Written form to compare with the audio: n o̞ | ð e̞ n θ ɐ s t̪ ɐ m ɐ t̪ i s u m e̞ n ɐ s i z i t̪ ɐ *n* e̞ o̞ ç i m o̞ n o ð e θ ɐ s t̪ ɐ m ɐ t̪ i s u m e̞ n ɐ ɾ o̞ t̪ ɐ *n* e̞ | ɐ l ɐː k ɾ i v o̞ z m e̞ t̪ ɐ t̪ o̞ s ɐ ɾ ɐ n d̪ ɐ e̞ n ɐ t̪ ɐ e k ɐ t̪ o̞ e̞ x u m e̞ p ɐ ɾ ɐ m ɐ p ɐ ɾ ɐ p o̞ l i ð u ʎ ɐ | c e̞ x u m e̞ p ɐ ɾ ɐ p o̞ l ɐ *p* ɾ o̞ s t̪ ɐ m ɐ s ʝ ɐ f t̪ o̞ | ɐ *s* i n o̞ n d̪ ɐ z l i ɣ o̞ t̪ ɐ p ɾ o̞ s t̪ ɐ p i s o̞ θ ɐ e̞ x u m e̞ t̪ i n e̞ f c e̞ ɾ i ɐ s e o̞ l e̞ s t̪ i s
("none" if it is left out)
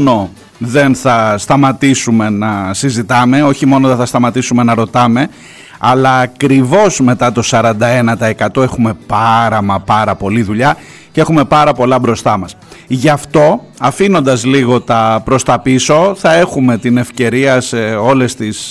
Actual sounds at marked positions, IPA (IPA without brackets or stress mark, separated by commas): m, m, b, f